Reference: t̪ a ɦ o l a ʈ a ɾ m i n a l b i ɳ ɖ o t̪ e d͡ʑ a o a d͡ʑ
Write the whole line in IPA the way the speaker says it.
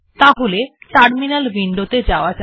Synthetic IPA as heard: t̪ a ɦ o l e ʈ a ɾ m i n a l b i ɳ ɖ o t̪ e d͡ʑ a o a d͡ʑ